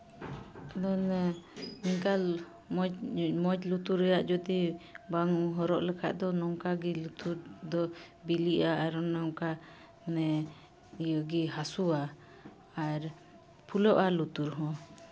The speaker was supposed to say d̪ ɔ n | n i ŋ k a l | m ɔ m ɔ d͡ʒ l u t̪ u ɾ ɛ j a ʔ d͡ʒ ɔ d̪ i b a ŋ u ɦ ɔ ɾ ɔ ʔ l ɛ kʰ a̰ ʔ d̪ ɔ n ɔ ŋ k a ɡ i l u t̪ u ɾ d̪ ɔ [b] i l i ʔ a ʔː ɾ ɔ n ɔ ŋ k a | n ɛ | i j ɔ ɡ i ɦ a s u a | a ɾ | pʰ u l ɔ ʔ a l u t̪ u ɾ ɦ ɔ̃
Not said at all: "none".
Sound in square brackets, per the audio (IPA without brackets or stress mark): b